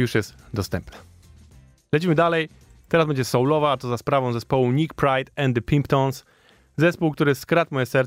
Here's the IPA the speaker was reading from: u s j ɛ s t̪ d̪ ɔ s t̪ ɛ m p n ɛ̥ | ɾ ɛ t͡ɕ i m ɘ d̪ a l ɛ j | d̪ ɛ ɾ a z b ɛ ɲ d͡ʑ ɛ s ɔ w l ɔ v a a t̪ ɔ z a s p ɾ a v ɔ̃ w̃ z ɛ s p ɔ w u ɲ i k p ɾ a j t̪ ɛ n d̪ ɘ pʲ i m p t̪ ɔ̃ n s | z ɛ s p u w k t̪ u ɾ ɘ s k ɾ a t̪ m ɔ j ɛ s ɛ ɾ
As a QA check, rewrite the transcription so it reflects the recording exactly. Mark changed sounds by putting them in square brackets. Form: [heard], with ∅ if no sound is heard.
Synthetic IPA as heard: u [ʂ] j ɛ s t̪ d̪ ɔ s t̪ ɛ m p n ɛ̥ | [l] ɛ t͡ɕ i m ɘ d̪ a l ɛ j | [t̪] ɛ ɾ a z b ɛ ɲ d͡ʑ ɛ s ɔ w l ɔ v a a t̪ ɔ z a s p ɾ a v ɔ̃ w̃ z ɛ s p ɔ w u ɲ i k p ɾ a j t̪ ɛ n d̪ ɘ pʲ i m p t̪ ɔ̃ n s | z ɛ s p u w k t̪ u ɾ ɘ s k ɾ a t̪ m ɔ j ɛ s ɛ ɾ